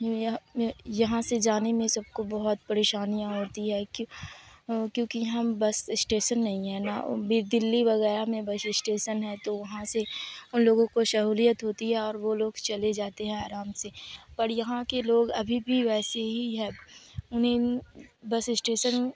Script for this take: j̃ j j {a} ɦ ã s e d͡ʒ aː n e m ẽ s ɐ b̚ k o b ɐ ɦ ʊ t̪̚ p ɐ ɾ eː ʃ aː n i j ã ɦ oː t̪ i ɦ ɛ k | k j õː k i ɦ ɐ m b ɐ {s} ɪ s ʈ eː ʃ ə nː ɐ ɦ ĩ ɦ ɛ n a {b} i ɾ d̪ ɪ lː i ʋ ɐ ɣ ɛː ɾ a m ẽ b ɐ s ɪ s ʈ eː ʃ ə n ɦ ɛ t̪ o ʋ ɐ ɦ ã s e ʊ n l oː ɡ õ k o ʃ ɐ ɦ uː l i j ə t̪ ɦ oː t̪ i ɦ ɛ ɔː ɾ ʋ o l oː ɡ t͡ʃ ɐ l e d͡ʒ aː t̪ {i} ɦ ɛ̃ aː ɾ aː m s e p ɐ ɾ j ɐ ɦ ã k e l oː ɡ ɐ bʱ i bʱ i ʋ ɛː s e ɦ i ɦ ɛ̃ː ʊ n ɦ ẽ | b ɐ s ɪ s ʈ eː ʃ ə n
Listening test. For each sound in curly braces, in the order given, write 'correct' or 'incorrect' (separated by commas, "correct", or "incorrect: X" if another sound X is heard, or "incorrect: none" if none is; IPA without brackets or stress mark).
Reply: incorrect: ɐ, correct, correct, incorrect: e